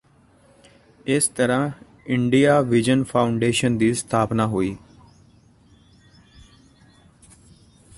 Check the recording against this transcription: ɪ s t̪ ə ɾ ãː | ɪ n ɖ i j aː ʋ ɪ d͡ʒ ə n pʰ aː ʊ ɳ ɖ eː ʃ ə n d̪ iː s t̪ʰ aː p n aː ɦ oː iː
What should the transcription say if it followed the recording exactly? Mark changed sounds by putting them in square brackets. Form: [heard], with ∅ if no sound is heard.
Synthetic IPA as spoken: ɪ s t̪ ə ɾ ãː | ɪ [ɳ] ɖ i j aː ʋ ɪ d͡ʒ ə n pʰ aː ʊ ɳ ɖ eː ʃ ə n d̪ iː s t̪ʰ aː p n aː ɦ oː iː